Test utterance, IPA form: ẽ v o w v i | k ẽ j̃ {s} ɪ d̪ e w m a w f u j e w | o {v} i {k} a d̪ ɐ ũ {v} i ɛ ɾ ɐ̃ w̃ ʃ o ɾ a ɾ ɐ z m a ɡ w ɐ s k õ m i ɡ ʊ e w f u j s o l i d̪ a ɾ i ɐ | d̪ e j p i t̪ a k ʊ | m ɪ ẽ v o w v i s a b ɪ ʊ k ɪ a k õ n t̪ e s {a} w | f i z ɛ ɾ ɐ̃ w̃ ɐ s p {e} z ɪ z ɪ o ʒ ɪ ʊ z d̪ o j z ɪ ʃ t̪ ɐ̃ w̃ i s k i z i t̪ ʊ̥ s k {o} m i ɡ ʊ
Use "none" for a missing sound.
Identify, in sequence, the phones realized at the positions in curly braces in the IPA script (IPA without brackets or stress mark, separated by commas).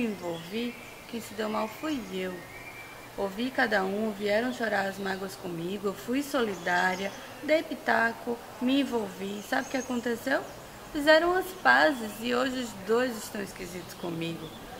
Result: s, v, k, v, e, a, õ